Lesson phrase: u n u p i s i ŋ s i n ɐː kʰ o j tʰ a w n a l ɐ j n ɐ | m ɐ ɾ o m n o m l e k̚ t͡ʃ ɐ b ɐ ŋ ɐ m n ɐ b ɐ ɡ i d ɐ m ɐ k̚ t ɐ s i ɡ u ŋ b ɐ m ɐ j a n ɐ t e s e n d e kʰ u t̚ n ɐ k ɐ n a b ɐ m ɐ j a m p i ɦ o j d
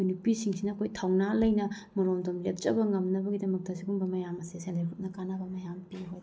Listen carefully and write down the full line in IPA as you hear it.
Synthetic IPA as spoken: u n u p i s i ŋ s i n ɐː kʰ o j tʰ a w n a l ɐ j n ɐ | m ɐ ɾ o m d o m l e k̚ t͡ʃ ɐ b ɐ ŋ ɐ m n ɐ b ɐ ɡ i d ɐ m ɐ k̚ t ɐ s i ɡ u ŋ b ɐ m ɐ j a m ɐ s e s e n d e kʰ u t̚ n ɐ k a n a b ɐ m ɐ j a m p i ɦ o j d